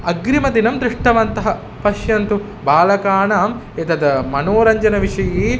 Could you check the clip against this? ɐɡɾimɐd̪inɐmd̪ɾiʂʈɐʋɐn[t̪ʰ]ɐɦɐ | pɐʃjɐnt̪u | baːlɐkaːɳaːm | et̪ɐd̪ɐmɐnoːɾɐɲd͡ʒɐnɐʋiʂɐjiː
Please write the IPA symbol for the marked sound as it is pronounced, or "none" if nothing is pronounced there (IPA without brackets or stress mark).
t̪